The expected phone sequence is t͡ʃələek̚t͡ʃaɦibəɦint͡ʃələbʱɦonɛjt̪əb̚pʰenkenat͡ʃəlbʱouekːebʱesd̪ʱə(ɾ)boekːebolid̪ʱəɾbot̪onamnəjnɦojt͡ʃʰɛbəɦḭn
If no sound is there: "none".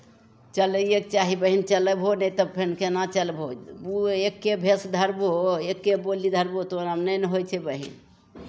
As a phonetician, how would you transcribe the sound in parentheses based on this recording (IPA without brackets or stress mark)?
ɾ